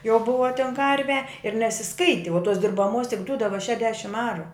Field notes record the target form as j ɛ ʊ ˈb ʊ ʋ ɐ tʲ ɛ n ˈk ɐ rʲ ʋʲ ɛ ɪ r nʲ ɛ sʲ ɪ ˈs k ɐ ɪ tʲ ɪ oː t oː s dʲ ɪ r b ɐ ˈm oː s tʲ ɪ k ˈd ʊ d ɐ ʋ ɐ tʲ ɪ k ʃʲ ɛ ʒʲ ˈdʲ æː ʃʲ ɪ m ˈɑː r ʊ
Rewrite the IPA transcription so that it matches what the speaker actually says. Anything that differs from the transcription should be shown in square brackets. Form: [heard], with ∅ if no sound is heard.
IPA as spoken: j ɛ ʊ ˈb ʊ ʋ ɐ tʲ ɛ n ˈk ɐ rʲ ʋʲ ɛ ɪ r nʲ ɛ sʲ ɪ ˈs k ɐ ɪ tʲ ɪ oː t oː s dʲ ɪ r b ɐ ˈm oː s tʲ ɪ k ˈd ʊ d ɐ ʋ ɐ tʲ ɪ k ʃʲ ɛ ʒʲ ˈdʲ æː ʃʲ ɪ m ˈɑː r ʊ